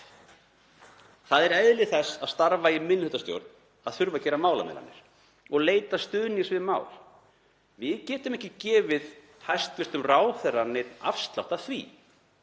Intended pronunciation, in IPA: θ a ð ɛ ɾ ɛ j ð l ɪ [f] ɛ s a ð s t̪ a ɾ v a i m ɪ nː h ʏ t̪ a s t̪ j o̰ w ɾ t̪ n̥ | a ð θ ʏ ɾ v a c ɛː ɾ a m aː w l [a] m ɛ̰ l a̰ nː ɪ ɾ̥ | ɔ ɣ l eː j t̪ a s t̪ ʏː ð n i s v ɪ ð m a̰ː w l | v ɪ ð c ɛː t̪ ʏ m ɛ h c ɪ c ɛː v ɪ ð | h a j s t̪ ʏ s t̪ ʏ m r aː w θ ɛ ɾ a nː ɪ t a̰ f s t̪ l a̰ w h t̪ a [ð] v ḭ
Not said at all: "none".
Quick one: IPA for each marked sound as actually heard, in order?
θ, a, θ

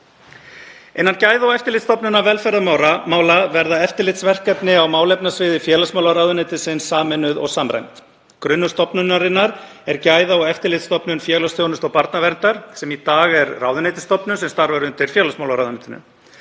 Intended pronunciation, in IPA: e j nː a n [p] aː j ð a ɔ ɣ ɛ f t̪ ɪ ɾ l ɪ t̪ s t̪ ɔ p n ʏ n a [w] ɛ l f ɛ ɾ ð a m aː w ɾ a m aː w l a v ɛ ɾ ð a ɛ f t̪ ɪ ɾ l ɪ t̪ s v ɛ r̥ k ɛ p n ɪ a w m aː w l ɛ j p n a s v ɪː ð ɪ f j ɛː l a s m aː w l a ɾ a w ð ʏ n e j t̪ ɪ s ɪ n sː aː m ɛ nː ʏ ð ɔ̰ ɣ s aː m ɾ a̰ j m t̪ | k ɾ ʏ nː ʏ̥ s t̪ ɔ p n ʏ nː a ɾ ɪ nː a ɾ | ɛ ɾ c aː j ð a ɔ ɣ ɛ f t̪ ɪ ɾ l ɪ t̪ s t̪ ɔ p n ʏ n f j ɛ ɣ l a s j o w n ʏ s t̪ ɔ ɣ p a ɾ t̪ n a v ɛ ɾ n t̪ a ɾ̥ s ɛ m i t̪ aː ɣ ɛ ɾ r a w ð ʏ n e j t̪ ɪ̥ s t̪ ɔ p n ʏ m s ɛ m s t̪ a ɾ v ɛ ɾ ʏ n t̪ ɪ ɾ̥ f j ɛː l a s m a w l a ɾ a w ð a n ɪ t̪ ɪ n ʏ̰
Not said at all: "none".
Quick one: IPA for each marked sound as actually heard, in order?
c, v

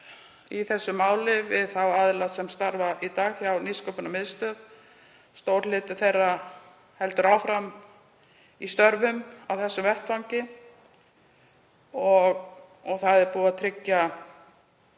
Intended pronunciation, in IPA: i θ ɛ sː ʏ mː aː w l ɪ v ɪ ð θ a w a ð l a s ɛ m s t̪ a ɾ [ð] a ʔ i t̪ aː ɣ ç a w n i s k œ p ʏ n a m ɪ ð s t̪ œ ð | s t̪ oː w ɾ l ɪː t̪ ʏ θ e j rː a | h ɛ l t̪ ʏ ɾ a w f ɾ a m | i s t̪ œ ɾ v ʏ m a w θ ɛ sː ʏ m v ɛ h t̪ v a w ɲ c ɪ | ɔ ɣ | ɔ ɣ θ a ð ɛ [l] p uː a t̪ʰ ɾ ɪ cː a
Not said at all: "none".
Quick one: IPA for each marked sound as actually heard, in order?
v, ɾ

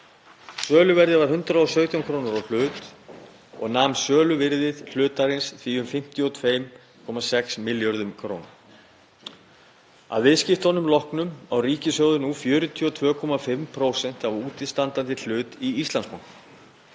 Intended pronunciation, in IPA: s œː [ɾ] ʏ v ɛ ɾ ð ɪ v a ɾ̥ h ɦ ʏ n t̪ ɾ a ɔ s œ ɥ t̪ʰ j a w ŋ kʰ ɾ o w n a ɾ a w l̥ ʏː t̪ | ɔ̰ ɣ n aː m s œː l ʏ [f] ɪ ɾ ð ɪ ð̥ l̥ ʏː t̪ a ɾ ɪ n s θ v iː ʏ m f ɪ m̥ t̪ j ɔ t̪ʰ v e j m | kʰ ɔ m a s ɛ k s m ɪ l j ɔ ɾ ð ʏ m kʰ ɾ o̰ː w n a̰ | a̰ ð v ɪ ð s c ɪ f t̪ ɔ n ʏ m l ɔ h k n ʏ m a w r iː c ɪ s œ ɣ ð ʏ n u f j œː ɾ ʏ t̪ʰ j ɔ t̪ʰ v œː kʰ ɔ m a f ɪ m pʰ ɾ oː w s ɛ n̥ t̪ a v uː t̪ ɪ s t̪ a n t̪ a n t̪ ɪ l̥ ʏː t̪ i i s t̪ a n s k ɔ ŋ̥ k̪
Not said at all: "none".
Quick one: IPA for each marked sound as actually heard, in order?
l, v

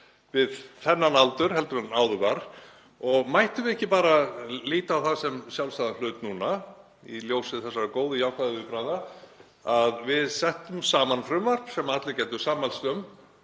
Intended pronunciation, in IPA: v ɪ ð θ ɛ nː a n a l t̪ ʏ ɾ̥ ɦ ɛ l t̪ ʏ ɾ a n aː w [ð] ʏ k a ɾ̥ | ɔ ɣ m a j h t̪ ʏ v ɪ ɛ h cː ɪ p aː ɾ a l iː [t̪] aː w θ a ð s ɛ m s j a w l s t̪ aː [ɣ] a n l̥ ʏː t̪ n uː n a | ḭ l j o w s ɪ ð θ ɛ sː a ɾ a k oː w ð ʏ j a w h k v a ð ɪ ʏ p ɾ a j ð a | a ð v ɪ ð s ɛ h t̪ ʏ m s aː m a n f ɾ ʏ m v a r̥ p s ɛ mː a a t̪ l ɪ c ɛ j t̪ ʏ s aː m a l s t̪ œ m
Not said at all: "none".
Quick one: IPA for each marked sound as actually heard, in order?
ð, t̪, ð

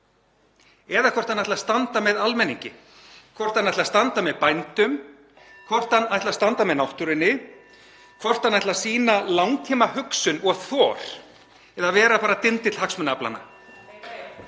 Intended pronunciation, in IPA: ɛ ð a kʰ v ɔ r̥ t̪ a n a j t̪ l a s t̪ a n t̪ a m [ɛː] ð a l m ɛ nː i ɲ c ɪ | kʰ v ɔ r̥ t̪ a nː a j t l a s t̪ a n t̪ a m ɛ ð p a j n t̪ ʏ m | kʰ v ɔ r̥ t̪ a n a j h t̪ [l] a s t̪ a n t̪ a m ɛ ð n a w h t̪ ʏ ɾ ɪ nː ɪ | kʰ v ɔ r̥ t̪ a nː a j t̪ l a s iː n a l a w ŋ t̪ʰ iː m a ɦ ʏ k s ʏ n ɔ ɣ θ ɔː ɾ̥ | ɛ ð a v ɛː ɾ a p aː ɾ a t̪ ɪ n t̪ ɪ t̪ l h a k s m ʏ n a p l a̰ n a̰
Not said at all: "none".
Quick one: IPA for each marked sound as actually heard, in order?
ɛ, l

